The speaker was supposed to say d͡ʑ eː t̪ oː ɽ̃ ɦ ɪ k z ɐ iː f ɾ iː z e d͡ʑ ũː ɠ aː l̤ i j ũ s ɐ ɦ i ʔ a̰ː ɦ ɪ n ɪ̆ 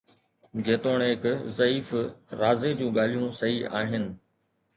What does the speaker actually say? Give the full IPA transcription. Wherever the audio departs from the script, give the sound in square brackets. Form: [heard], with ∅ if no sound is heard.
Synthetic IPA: d͡ʑ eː t̪ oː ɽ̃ ɦ ɪ k z ɐ iː f ɾ [aː] z e d͡ʑ ũː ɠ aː l̤ i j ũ s ɐ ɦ i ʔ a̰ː ɦ ɪ n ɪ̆